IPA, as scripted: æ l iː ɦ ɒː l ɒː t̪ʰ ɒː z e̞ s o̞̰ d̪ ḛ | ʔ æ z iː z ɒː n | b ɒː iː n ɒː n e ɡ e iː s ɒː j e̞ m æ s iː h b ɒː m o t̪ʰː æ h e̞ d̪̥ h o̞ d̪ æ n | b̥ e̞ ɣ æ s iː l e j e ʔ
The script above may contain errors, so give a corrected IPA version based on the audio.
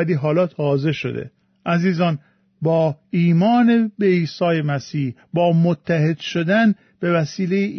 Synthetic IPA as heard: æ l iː ɦ ɒː l ɒː t̪ʰ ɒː z e̞ ʃ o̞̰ d̪ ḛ | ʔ æ z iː z ɒː n | b ɒː iː m ɒː n e b e iː s ɒː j e̞ m æ s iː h b ɒː m o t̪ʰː æ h e̞ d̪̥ ʃ o̞ d̪ æ n | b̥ e̞ v æ s iː l e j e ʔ